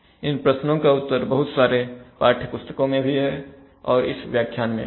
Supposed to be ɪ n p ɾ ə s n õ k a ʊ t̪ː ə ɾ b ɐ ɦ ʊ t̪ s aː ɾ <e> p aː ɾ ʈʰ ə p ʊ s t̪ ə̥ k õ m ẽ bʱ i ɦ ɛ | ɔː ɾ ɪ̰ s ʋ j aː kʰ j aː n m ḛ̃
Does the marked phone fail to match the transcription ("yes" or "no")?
no